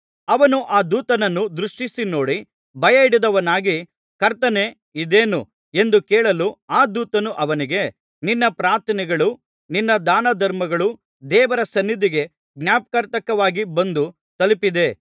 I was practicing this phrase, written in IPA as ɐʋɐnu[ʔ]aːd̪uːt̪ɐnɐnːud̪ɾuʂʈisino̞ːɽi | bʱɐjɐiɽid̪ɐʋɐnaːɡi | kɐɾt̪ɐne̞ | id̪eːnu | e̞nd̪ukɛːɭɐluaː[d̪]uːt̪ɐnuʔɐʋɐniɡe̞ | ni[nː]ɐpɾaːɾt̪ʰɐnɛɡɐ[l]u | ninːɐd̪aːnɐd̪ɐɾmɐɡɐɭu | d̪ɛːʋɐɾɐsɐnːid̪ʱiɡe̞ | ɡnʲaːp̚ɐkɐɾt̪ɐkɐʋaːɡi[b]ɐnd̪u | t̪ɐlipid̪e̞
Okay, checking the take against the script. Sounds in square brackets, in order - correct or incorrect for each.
correct, correct, correct, incorrect: ɭ, correct

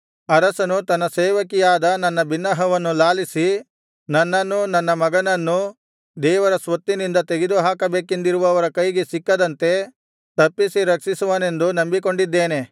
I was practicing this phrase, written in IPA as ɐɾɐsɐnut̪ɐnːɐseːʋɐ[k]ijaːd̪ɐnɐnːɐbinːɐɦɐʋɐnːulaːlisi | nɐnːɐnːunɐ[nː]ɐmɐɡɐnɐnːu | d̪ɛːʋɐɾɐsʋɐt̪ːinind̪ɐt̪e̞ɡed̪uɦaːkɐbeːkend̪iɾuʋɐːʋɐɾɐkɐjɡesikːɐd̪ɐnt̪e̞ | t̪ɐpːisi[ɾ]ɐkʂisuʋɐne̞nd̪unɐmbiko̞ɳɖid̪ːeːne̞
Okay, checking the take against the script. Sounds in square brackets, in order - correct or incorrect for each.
correct, correct, correct

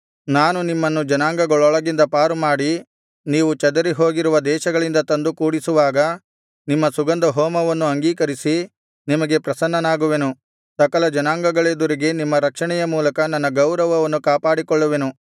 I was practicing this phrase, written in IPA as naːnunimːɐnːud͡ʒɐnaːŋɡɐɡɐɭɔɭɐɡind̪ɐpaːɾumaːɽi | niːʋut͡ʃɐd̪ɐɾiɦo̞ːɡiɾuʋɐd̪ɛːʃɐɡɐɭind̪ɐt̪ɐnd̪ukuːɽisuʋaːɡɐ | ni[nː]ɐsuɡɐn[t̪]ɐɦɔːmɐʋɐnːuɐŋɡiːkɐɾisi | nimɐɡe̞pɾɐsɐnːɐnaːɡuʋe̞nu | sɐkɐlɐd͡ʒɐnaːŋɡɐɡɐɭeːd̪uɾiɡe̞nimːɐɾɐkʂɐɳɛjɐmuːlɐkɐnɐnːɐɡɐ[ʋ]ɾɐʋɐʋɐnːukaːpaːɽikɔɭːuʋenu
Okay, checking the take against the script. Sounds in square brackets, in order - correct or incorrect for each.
incorrect: mː, incorrect: d̪, incorrect: w

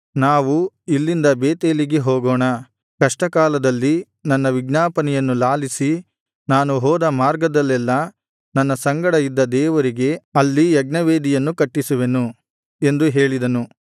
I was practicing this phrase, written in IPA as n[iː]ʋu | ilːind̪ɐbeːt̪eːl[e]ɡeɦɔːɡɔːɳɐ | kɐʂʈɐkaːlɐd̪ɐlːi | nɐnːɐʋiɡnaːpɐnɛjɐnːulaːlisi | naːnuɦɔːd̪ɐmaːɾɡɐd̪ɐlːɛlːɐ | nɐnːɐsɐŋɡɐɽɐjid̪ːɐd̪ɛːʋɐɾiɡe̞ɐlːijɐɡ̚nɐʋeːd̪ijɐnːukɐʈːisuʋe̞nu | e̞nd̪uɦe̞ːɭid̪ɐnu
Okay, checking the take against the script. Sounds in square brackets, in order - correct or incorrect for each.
incorrect: aː, incorrect: i

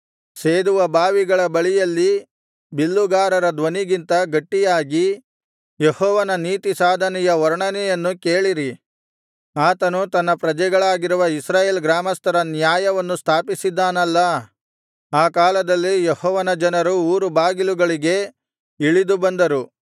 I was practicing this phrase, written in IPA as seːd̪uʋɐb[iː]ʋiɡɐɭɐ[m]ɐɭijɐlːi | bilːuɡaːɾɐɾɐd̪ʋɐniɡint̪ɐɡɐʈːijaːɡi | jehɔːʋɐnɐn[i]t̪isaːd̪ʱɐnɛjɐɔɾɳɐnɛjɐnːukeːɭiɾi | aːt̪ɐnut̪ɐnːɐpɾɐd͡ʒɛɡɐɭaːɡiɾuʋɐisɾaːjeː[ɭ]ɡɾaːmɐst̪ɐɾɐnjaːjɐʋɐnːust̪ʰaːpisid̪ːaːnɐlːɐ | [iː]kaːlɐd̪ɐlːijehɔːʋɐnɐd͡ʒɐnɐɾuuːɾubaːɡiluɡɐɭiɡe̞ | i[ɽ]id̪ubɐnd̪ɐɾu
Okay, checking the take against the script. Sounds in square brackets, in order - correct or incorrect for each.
incorrect: aː, incorrect: b, incorrect: iː, incorrect: l, incorrect: aː, incorrect: ɭ

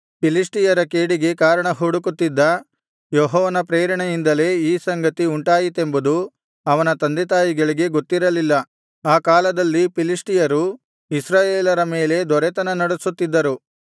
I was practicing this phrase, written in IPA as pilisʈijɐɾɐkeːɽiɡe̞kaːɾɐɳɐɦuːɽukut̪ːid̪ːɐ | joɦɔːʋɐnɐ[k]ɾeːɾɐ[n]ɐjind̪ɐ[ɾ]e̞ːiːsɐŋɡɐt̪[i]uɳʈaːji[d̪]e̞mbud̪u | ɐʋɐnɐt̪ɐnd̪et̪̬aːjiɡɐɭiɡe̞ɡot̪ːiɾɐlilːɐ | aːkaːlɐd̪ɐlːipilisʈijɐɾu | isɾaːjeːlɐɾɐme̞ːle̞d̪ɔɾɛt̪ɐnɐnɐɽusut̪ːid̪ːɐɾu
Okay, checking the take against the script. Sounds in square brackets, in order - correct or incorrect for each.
incorrect: p, incorrect: ɳ, incorrect: l, correct, incorrect: t̪

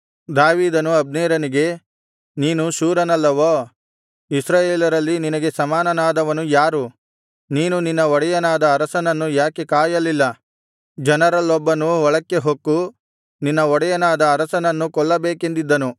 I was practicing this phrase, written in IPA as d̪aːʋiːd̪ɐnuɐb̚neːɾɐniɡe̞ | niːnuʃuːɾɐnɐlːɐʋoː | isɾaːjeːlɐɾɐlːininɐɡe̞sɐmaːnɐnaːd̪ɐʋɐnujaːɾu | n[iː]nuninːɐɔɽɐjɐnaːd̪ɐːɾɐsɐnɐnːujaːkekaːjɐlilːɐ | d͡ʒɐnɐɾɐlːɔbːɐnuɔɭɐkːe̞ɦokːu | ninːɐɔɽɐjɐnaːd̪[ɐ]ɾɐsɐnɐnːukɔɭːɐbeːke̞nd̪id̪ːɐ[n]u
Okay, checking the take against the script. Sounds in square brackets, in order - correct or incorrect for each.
correct, incorrect: ɐː, correct

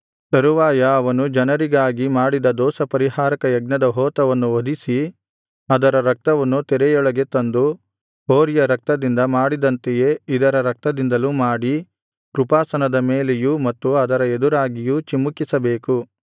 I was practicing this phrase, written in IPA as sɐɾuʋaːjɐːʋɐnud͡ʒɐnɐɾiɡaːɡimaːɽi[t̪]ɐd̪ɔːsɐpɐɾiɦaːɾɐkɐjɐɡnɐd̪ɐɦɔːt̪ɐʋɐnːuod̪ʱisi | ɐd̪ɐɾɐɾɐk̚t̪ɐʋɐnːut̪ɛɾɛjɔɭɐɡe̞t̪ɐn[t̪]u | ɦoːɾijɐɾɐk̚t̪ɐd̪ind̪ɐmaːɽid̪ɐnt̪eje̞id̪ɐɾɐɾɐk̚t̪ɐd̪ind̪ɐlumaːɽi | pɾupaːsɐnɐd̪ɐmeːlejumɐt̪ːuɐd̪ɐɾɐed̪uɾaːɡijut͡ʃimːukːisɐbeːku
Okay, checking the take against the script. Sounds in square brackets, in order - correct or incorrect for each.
incorrect: d̪, incorrect: d̪

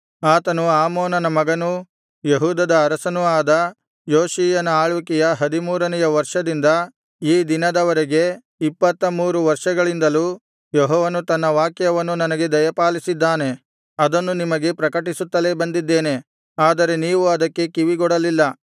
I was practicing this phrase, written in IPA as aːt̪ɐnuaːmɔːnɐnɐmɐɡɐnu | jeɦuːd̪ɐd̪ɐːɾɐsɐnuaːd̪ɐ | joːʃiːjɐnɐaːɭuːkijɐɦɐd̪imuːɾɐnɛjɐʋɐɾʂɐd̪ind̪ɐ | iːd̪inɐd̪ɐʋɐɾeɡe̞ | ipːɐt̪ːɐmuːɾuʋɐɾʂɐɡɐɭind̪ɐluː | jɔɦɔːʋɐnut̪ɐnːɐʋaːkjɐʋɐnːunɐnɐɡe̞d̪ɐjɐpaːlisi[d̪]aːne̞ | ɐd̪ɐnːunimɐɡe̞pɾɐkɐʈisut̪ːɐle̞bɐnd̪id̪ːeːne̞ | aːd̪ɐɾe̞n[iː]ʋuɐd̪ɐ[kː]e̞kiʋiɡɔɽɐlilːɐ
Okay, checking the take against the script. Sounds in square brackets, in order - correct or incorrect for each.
incorrect: d̪ː, correct, correct

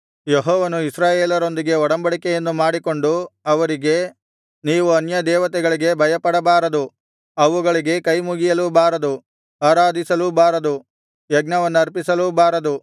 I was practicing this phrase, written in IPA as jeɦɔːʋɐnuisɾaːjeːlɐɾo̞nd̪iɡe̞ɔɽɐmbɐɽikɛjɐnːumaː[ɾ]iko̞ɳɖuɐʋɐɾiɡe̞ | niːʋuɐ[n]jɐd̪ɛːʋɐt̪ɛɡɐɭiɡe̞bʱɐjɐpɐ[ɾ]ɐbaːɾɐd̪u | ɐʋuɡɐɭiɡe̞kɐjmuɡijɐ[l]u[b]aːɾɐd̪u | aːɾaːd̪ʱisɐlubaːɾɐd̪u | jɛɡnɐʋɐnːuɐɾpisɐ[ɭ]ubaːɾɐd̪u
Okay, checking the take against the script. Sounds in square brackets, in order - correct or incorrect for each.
incorrect: ɽ, correct, incorrect: ɽ, correct, correct, incorrect: l

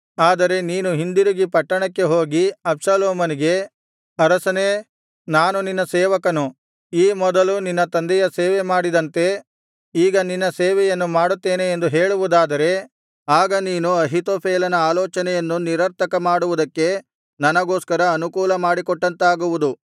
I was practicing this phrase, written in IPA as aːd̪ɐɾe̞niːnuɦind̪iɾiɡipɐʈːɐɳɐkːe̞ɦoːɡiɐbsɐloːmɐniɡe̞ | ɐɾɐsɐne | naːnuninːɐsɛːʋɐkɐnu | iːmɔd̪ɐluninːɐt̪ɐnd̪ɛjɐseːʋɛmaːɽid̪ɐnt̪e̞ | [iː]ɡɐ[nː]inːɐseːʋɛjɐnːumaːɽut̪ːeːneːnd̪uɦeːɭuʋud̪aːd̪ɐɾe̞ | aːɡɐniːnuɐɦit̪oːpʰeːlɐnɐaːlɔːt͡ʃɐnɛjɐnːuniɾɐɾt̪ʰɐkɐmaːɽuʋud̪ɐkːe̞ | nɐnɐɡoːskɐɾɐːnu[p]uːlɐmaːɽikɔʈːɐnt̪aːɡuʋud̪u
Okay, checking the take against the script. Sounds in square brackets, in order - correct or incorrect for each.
correct, incorrect: n, incorrect: k

